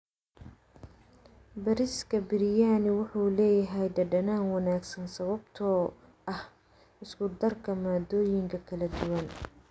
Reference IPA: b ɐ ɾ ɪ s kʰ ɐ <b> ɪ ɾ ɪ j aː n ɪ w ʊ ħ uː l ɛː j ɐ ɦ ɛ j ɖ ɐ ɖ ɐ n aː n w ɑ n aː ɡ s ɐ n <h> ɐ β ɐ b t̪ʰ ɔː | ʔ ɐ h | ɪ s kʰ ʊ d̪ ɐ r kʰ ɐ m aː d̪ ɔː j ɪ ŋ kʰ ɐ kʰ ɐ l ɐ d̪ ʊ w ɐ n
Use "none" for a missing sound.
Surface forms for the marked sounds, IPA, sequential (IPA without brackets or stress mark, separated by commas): b, s